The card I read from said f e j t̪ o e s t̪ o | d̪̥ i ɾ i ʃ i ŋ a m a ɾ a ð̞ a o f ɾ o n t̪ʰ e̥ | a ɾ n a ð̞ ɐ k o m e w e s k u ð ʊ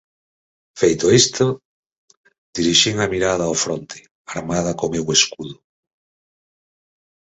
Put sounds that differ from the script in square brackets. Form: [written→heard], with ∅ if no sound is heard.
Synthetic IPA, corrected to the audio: f e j t̪ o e s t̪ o | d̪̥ i ɾ i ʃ i ŋ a m [a→i] ɾ a ð̞ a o f ɾ o n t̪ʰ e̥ | a ɾ [n→m] a ð̞ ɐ k o m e w e s k u ð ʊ

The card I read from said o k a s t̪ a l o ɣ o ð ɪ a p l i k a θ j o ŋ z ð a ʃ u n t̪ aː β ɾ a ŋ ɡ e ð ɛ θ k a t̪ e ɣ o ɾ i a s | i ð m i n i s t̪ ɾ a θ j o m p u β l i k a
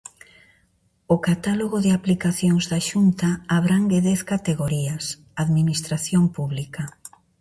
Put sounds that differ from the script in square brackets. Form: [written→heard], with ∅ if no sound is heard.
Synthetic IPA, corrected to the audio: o k a [s→∅] t̪ a l o ɣ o ð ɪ a p l i k a θ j o ŋ z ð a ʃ u n t̪ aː β ɾ a ŋ ɡ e ð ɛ θ k a t̪ e ɣ o ɾ i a s | [i→a] ð m i n i s t̪ ɾ a θ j o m p u β l i k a

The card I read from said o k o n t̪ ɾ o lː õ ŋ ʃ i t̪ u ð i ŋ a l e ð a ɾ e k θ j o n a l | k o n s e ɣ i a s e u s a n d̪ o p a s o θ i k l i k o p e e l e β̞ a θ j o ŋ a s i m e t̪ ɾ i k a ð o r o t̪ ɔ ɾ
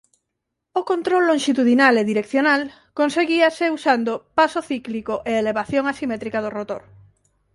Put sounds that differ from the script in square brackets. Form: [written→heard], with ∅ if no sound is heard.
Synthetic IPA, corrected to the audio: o k o n t̪ ɾ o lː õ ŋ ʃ i t̪ u ð i [ŋ→n] a l e ð [a→i] ɾ e k θ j o n a l | k o n s e ɣ i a s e u s a n d̪ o p a s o θ i k l i k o [p→ʔ] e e l e β̞ a θ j o ŋ a s i m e t̪ ɾ i k a ð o r o t̪ [ɔ→o] ɾ

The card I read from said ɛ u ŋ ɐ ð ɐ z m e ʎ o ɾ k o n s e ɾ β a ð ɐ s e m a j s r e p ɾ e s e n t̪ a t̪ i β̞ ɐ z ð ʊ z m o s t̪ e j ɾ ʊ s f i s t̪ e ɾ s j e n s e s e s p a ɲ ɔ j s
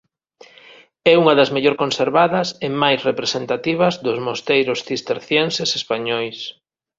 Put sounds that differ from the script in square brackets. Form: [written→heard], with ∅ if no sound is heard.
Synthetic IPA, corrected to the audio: ɛ u ŋ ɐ ð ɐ z m e ʎ o ɾ k o n s e ɾ β a ð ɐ s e m a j s r e p ɾ e s e n t̪ a t̪ i β̞ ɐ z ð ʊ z m o s t̪ e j ɾ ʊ s [f→θ] i s t̪ e ɾ [s→θ] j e n s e s e s p a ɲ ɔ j s

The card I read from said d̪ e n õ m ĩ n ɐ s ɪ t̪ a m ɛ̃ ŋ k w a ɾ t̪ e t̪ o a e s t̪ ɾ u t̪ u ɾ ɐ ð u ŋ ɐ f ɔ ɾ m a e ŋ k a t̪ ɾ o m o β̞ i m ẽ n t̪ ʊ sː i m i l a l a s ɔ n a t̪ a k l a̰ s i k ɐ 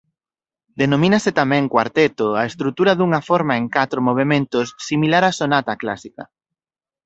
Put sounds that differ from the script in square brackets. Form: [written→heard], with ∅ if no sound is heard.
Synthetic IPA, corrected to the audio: d̪ e n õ m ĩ n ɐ s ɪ t̪ a m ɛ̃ ŋ k w a ɾ t̪ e t̪ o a e s t̪ ɾ u t̪ u ɾ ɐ ð u ŋ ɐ f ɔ ɾ m a e ŋ k a t̪ ɾ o m o β̞ [i→e] m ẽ n t̪ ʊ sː i m i l a [l→ɾ] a s [ɔ→o] n a t̪ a k l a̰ s i k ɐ

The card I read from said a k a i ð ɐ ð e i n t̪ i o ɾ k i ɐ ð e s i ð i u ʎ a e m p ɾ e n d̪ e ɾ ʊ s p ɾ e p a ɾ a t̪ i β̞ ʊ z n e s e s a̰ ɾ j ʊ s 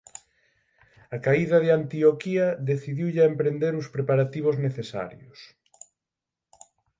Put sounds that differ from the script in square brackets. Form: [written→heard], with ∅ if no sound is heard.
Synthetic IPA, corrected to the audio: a k a i ð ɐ ð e [i→a] n t̪ i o [ɾ→∅] k i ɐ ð e [s→θ] i ð i [u→w] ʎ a e m p ɾ e n d̪ e ɾ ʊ s p ɾ e p a ɾ a t̪ i β̞ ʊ z n e [s→θ] e s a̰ ɾ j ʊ s

